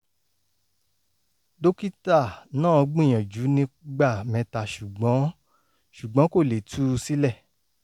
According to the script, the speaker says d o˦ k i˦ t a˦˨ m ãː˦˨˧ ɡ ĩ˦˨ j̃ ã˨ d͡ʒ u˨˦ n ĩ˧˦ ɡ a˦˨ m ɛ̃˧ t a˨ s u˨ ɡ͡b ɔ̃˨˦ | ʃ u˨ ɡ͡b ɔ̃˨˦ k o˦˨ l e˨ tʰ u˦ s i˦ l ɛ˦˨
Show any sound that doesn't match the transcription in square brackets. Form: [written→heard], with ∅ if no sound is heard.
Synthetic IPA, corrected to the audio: d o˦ k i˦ t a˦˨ [m→n] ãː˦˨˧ [ɡ→ɡ͡b] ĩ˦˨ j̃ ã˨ d͡ʒ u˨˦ n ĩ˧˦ [ɡ→ɡ͡b] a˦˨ m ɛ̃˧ t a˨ [s→ʃ] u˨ ɡ͡b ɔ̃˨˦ | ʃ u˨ ɡ͡b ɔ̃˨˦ k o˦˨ l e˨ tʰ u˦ s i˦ l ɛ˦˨